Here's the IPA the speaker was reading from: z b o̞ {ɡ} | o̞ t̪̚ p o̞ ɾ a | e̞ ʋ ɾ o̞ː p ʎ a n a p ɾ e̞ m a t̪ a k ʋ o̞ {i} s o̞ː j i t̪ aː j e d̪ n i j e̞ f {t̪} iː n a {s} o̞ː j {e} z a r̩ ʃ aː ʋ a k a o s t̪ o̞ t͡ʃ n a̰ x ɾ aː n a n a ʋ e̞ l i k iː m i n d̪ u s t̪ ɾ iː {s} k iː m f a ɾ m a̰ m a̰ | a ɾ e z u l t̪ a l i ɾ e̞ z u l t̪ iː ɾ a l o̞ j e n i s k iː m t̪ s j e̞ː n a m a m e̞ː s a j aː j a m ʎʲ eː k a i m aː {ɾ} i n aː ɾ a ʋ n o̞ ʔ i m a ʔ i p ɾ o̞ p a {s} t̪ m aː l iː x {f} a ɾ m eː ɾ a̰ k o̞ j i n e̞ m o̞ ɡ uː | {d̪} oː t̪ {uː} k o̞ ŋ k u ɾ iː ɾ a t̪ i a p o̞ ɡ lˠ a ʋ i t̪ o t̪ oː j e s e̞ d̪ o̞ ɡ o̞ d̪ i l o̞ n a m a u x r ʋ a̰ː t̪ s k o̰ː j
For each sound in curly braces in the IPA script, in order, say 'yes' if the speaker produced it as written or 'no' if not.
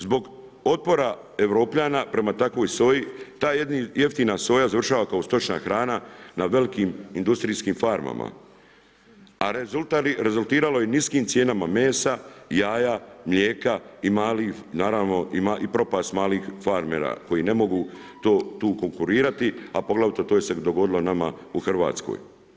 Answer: yes, no, yes, yes, no, yes, no, yes, yes, no, yes

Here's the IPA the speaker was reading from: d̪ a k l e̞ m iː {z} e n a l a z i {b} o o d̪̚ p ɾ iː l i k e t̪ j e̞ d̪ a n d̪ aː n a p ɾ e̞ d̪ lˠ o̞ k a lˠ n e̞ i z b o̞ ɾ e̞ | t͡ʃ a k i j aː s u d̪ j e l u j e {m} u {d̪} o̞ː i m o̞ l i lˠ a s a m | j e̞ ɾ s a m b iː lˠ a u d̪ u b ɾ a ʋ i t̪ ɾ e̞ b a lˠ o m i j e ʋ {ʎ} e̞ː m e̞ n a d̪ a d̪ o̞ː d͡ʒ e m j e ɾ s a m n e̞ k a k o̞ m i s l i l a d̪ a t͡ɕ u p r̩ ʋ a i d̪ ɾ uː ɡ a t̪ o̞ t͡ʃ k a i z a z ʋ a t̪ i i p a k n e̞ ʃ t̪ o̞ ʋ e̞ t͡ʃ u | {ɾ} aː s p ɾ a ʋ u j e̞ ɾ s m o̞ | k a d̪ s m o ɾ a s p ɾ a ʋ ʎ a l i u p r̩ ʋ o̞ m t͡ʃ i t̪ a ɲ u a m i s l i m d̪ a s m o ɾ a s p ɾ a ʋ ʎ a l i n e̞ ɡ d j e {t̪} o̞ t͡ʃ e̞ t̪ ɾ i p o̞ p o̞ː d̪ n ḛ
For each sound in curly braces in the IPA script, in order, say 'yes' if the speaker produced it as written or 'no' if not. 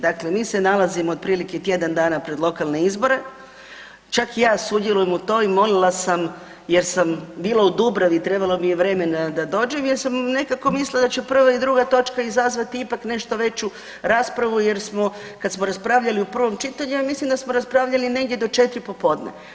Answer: no, no, yes, no, no, yes, no

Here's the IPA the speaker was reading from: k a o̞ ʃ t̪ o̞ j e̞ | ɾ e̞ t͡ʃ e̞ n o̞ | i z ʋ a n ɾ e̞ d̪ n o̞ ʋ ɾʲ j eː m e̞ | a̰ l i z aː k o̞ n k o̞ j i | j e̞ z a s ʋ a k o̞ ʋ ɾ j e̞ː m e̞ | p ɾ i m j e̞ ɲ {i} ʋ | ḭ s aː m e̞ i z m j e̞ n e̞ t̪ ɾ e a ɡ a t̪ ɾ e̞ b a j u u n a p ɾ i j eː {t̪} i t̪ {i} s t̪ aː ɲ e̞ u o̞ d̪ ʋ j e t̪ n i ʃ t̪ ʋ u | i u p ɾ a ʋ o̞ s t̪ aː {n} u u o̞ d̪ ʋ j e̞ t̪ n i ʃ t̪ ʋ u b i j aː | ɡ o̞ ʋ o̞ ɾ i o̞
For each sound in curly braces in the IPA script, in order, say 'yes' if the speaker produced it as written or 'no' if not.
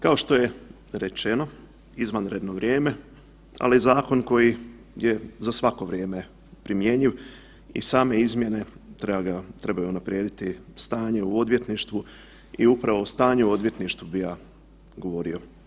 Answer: yes, no, yes, no

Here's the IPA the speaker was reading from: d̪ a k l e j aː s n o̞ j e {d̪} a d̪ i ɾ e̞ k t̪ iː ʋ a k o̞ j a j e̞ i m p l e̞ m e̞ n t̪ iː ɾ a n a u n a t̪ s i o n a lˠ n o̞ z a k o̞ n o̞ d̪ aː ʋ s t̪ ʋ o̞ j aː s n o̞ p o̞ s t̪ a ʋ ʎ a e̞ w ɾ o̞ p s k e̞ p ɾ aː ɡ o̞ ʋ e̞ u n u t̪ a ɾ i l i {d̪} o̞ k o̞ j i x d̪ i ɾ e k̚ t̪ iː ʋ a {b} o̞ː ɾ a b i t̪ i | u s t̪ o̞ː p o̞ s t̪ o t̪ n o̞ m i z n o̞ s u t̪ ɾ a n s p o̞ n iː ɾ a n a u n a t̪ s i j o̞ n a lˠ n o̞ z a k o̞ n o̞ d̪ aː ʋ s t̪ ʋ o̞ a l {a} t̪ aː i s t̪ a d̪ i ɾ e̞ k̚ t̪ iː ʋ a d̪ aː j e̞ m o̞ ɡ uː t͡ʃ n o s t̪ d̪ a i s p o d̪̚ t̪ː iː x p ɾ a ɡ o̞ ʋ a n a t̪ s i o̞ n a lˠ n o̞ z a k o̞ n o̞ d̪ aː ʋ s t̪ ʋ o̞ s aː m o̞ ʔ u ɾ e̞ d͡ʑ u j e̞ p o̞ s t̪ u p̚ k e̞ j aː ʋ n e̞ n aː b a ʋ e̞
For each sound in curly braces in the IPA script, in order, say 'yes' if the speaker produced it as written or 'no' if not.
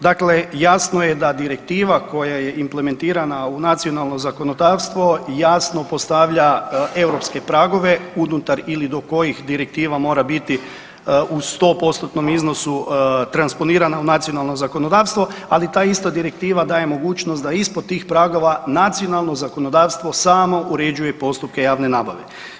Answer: yes, yes, no, no

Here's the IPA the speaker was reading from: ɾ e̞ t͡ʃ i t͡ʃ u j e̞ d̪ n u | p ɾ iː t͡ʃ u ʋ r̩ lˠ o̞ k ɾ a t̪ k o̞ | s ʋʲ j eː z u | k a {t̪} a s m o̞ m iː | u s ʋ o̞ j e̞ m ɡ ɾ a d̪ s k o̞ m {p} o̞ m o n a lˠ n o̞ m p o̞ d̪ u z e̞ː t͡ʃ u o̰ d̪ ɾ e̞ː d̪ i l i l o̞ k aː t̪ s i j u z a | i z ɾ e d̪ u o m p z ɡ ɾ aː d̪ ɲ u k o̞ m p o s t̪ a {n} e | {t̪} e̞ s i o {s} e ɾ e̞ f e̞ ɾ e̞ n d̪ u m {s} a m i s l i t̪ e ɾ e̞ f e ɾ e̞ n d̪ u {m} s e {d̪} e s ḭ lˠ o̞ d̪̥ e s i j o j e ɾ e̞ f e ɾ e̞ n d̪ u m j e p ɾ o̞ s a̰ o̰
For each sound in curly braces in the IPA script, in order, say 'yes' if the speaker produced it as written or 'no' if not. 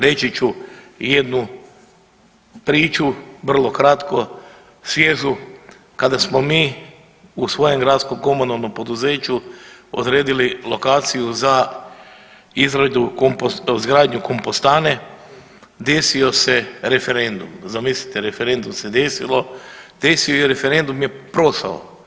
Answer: no, no, yes, no, yes, no, yes, yes

